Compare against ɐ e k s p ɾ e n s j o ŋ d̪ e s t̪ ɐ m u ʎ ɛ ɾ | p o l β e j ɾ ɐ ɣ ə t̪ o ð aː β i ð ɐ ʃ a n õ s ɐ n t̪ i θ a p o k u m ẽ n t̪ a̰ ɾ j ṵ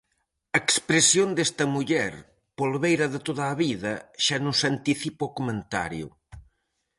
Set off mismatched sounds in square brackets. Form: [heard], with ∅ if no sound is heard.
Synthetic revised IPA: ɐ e k s p ɾ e [∅] s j o [n] d̪ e s t̪ ɐ m u ʎ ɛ ɾ | p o l β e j ɾ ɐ [ð] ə t̪ o ð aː β i ð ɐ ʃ a n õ s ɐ n t̪ i θ [i] p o k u m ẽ n t̪ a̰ ɾ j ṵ